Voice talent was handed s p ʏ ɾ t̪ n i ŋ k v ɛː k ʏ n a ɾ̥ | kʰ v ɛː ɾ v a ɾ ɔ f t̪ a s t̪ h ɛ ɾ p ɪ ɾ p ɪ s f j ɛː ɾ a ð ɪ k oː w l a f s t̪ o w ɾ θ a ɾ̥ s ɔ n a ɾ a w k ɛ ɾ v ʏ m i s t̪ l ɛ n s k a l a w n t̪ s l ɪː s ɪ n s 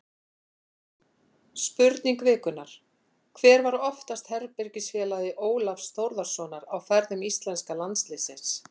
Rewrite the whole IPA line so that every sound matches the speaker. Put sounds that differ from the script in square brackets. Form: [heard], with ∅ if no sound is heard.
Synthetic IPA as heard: s p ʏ ɾ t̪ n i ŋ k v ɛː k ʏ n a ɾ̥ | kʰ v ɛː ɾ v a ɾ ɔ f t̪ a s t̪ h ɛ ɾ p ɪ ɾ [c] ɪ s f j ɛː [l] a ð ɪ [ʔ] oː w l a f s t̪ o w ɾ [ð] a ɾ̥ s ɔ n a ɾ a w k ɛ ɾ [ð] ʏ m i s t̪ l ɛ n s k a l a [∅] n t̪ s l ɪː s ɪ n s